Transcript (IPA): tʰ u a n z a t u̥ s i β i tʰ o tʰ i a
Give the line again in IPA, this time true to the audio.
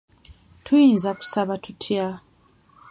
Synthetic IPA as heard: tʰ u i n z a k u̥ s a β a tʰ u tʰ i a